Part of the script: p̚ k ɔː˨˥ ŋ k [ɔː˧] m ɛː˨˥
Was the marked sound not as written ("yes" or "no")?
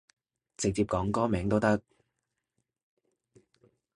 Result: yes